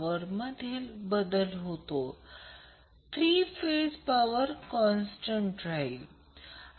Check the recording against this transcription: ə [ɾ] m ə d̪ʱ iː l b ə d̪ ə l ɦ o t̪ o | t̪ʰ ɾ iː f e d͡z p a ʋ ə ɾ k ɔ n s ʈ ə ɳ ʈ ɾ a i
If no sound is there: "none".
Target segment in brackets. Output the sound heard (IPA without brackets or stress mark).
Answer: ɾ